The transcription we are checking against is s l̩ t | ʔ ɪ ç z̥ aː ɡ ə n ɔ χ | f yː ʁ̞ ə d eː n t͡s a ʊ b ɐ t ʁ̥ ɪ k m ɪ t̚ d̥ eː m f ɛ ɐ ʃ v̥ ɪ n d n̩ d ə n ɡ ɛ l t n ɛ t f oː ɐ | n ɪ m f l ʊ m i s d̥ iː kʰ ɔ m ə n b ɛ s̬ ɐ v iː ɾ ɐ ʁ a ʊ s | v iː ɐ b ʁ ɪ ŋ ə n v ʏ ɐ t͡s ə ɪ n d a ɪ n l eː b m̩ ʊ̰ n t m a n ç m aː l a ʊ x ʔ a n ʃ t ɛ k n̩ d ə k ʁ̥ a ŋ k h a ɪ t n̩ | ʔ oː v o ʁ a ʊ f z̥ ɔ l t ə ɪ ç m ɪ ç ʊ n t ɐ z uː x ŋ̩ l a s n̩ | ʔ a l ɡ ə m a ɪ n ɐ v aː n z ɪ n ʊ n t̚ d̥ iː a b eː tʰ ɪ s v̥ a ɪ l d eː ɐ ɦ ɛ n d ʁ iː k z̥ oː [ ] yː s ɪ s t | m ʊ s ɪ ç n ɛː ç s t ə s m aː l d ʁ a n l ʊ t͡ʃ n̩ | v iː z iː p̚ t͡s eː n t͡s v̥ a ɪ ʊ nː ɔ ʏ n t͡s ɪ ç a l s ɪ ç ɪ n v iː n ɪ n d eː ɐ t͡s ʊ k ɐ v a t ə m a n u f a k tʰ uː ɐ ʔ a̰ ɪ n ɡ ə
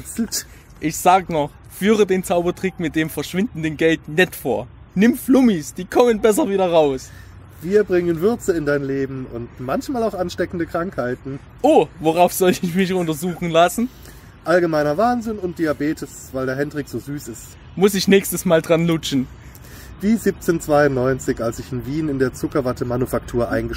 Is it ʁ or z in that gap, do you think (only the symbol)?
z